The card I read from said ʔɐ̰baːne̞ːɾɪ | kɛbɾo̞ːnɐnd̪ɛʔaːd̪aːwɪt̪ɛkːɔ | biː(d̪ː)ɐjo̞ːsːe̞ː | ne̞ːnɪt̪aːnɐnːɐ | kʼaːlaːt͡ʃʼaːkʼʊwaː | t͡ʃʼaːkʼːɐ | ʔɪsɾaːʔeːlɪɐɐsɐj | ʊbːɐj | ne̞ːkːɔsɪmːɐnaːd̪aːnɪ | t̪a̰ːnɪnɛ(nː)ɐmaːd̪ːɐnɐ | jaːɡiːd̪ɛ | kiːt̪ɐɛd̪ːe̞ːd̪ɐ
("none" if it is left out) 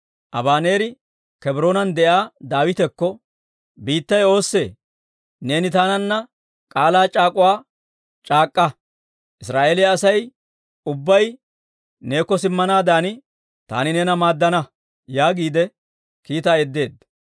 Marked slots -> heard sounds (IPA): t̪ː, n

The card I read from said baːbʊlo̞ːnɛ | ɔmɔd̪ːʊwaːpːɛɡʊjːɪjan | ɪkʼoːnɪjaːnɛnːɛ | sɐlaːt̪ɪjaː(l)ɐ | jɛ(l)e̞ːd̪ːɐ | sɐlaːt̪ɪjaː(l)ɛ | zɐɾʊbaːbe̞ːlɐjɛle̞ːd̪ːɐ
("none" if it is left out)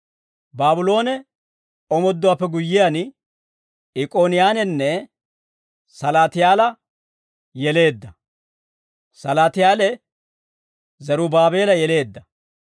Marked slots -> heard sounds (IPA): l, l, l

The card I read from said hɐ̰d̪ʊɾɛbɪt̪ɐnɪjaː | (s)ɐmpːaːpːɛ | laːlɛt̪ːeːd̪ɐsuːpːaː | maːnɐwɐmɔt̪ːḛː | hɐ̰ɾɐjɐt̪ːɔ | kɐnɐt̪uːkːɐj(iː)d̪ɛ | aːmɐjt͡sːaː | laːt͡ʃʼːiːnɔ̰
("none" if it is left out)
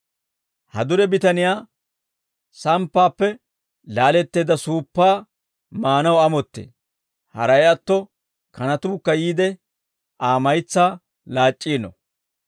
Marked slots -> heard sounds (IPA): s, iː

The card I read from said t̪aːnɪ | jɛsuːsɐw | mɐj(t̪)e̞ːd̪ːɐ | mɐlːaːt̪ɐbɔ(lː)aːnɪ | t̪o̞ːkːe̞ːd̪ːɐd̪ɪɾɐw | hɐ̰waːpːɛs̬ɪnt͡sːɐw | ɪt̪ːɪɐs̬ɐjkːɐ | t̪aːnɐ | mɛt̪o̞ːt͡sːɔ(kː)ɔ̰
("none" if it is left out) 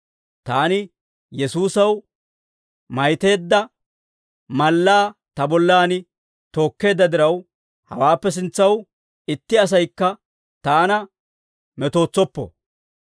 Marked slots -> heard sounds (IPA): t̪, lː, pː

